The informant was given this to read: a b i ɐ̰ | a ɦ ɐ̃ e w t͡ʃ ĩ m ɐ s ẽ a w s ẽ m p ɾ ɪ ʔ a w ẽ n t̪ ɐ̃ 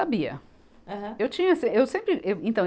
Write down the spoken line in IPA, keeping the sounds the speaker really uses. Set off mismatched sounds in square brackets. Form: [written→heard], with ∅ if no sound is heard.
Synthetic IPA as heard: a b i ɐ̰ | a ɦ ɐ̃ e w t͡ʃ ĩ [m→ɲ] ɐ s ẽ [a→e] w s ẽ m p ɾ ɪ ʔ [a→e] w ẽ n t̪ ɐ̃